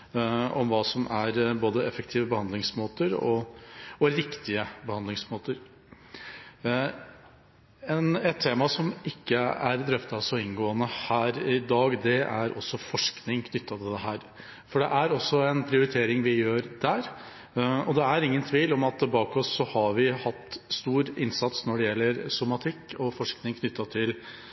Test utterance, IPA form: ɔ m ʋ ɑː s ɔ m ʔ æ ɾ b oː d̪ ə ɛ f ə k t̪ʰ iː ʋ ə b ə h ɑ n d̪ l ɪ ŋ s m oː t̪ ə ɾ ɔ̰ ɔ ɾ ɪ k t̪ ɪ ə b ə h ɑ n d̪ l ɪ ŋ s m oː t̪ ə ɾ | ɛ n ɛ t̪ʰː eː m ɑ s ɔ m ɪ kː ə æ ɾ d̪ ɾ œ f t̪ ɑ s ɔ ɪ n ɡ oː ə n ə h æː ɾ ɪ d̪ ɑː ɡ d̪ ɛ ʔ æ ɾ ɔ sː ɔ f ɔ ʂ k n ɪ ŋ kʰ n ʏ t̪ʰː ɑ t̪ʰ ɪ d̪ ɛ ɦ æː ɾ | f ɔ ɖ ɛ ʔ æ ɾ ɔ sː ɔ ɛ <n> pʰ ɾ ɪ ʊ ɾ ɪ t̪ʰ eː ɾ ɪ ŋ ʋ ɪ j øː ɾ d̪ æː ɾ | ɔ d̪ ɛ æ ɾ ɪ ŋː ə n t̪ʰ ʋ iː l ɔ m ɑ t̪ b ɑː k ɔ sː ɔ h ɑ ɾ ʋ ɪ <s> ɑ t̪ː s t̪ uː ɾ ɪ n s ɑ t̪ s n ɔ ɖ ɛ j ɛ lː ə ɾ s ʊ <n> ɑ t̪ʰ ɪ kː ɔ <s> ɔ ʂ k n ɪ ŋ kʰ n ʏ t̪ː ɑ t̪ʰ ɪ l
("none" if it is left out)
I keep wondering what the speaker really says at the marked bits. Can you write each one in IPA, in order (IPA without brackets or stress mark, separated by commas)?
n, h, m, f